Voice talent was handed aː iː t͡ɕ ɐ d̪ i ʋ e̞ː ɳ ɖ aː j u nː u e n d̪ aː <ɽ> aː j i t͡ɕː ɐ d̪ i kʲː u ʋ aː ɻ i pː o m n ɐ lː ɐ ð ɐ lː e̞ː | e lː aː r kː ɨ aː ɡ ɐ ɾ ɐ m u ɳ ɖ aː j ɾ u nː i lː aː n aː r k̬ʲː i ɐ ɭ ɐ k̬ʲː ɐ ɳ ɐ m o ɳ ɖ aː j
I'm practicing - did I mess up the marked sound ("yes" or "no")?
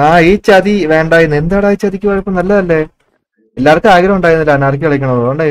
no